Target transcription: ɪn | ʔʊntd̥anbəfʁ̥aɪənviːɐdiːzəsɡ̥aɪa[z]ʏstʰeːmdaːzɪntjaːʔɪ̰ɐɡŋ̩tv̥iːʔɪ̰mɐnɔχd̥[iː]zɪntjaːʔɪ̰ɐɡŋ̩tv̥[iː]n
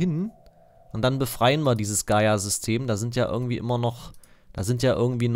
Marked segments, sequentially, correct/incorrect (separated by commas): correct, incorrect, correct